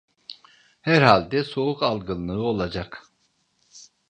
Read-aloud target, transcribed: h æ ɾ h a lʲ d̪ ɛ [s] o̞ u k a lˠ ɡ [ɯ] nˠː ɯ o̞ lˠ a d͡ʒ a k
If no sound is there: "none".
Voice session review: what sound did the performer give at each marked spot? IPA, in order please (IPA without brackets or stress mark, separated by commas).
s, ɯ